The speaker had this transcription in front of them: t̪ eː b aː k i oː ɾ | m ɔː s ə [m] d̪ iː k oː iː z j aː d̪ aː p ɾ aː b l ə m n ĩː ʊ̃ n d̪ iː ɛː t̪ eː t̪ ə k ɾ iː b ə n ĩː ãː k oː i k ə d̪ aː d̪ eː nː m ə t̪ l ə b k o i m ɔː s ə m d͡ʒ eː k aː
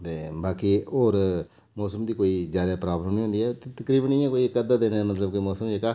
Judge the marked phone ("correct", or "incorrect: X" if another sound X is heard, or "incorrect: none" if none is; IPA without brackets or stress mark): correct